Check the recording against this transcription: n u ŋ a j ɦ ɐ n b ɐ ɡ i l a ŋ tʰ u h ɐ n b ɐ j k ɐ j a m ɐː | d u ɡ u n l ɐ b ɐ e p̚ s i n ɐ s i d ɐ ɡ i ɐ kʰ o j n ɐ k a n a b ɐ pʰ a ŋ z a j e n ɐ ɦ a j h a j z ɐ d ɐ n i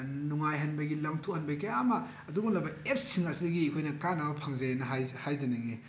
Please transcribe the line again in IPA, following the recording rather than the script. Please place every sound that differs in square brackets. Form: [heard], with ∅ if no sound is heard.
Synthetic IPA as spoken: n u ŋ a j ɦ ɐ n b ɐ ɡ i l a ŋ tʰ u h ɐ n b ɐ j k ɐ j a m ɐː | d u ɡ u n l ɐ b ɐ e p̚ s i [ŋ] ɐ s i d ɐ ɡ i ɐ kʰ o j n ɐ k a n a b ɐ pʰ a ŋ z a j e n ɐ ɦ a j h a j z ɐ [n] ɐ [ŋ] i